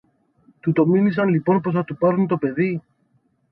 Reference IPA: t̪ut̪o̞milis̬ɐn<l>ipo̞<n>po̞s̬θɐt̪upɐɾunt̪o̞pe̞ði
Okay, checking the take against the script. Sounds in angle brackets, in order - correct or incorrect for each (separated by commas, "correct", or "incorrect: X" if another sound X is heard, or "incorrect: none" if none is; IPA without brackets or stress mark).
correct, correct